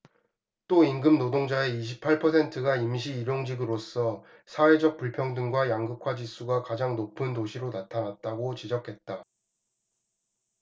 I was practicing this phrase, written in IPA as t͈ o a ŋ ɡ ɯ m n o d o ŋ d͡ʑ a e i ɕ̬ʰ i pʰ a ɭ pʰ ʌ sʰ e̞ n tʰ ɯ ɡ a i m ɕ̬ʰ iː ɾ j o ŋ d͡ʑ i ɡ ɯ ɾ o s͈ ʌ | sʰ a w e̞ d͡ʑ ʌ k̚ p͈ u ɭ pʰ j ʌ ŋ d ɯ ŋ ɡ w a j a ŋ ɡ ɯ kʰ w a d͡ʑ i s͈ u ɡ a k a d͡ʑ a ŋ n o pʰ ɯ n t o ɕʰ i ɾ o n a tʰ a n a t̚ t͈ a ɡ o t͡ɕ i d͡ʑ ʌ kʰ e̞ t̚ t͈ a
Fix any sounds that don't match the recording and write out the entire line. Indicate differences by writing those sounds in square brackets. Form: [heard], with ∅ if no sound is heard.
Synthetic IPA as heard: t͈ o [i] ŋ ɡ ɯ m n o d o ŋ d͡ʑ a e i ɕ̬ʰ i pʰ a ɭ pʰ ʌ sʰ e̞ n tʰ ɯ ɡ a i m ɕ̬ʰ iː ɾ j o ŋ d͡ʑ i ɡ ɯ ɾ o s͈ ʌ | sʰ a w e̞ d͡ʑ ʌ k̚ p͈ u ɭ pʰ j ʌ ŋ d ɯ ŋ ɡ w a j a ŋ ɡ ɯ kʰ w a d͡ʑ i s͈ u ɡ a k a d͡ʑ a ŋ n o pʰ ɯ n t o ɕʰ i ɾ o n a tʰ a n a t̚ t͈ a ɡ o t͡ɕ i d͡ʑ ʌ kʰ e̞ t̚ t͈ a

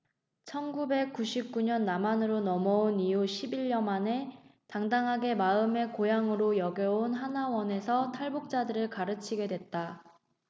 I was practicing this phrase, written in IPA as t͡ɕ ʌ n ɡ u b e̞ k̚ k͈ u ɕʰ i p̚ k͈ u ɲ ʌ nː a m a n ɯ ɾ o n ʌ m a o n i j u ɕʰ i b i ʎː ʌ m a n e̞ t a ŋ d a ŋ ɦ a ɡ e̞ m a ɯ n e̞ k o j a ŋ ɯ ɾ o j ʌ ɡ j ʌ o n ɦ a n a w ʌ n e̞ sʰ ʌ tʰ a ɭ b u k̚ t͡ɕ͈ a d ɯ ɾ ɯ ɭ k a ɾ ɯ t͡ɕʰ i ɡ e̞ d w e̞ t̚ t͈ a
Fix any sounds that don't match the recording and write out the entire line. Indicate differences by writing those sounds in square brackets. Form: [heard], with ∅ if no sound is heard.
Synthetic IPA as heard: [t͡ɕʰ] ʌ n ɡ u b e̞ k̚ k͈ u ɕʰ i p̚ k͈ u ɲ ʌ nː a m a n ɯ ɾ o n ʌ m [ʌ] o n i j u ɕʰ i b i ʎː ʌ m a n e̞ t a ŋ d a ŋ ɦ a ɡ e̞ m a ɯ [m] e̞ k o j a ŋ ɯ ɾ o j ʌ ɡ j ʌ o n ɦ a n a w ʌ n e̞ sʰ ʌ tʰ a ɭ b u k̚ t͡ɕ͈ a d ɯ ɾ ɯ ɭ k a ɾ ɯ t͡ɕʰ i ɡ e̞ d w e̞ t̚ t͈ a

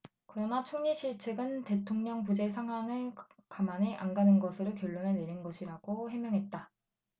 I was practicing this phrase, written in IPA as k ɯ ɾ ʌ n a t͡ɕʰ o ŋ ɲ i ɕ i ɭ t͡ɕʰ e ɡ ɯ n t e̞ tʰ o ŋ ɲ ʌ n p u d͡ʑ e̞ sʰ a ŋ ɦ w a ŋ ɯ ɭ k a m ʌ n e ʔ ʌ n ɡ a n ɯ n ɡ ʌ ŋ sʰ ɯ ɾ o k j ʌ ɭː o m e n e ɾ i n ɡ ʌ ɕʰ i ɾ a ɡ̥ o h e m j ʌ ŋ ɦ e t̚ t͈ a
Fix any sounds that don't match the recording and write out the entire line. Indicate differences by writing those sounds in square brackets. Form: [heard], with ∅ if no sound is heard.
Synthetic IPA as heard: k ɯ ɾ ʌ n a t͡ɕʰ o ŋ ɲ i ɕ i ɭ t͡ɕʰ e ɡ ɯ n t e̞ tʰ o ŋ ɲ ʌ [ŋ] p u d͡ʑ e̞ sʰ a ŋ ɦ w a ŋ ɯ ɭ k a m [a] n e ʔ [a] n ɡ a n ɯ n ɡ ʌ [∅] sʰ ɯ ɾ o k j ʌ ɭː o [n] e n e ɾ i n ɡ ʌ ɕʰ i ɾ a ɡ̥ o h e m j ʌ ŋ ɦ e t̚ t͈ a

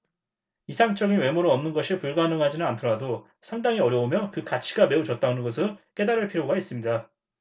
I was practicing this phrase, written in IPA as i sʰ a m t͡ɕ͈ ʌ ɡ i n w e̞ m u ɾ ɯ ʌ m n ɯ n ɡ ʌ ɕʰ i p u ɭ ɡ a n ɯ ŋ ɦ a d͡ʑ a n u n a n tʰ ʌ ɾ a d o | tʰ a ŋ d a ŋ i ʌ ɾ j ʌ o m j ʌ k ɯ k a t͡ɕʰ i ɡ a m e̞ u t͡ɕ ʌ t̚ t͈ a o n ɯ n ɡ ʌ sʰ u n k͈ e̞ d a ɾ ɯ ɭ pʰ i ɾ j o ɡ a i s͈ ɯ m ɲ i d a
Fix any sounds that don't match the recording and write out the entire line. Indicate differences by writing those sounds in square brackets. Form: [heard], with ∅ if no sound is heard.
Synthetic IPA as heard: i sʰ a [ŋ] t͡ɕ͈ ʌ ɡ i n w e̞ m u ɾ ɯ ʌ m n ɯ n ɡ ʌ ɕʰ i p u ɭ ɡ a n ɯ ŋ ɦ a d͡ʑ [i] n [ɯ] n a n tʰ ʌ ɾ a d o | [sʰ] a ŋ d a ŋ i ʌ ɾ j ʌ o m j ʌ k ɯ k a t͡ɕʰ i ɡ a m e̞ u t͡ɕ ʌ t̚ t͈ a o n ɯ n ɡ ʌ sʰ [ɯ] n k͈ e̞ d a ɾ ɯ ɭ pʰ i ɾ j o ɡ a i s͈ ɯ m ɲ i d a

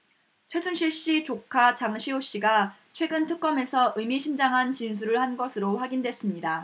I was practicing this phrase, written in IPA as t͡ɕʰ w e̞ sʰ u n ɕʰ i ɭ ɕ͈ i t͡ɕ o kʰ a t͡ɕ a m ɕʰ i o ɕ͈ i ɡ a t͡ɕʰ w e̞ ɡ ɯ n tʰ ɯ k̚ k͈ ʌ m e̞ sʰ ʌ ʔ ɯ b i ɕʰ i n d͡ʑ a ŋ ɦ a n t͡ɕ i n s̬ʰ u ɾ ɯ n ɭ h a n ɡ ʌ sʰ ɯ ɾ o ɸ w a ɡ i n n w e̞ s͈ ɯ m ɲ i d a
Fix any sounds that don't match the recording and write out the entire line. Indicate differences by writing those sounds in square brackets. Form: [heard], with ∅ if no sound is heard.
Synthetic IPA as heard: t͡ɕʰ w e̞ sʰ u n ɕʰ i ɭ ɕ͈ i t͡ɕ o kʰ a t͡ɕ a [ŋ] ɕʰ i o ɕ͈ i ɡ a t͡ɕʰ w e̞ ɡ ɯ n tʰ ɯ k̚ k͈ ʌ m e̞ sʰ ʌ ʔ ɯ [m] i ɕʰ i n d͡ʑ a ŋ ɦ a n t͡ɕ i n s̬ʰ u ɾ ɯ [∅] ɭ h a n ɡ ʌ sʰ ɯ ɾ o ɸ w a ɡ i n [d] w e̞ s͈ ɯ m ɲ i d a

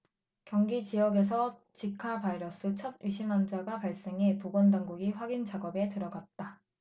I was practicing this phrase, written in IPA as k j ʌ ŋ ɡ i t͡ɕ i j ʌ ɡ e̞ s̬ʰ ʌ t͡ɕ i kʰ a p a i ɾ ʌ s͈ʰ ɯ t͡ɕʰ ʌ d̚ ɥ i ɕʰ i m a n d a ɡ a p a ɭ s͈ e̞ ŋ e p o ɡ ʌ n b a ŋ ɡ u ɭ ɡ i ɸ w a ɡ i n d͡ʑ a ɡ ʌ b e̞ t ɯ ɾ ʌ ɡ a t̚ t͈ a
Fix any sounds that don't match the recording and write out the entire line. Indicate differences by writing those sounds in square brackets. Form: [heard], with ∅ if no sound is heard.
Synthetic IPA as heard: k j ʌ ŋ ɡ i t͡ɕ i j ʌ ɡ e̞ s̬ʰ ʌ t͡ɕ i kʰ a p a i ɾ ʌ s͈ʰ ɯ t͡ɕʰ ʌ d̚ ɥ i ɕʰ i m a n [d͡ʑ] a ɡ a p a ɭ s͈ e̞ ŋ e p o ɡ ʌ n [d] a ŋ ɡ u [∅] ɡ i ɸ w a ɡ i n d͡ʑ a ɡ ʌ b e̞ t ɯ ɾ ʌ ɡ a t̚ t͈ a

